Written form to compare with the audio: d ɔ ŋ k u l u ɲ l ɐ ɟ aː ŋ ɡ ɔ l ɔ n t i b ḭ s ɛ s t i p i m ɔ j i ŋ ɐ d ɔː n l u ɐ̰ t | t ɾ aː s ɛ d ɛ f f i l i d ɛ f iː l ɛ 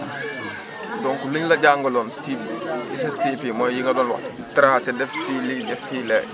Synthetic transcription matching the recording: d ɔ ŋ k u l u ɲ l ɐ ɟ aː ŋ ɡ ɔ l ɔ n t i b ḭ s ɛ s t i p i m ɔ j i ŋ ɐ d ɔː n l w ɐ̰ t | t ɾ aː s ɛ d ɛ f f i l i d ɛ f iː l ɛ